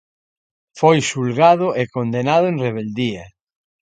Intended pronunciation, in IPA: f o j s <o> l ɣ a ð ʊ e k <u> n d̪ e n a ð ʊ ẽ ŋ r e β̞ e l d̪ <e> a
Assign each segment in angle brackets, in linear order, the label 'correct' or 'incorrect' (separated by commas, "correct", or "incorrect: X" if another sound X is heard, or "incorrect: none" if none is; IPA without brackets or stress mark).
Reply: incorrect: u, incorrect: o, incorrect: i